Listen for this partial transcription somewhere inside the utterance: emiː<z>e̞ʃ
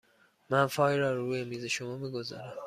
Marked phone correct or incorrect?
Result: correct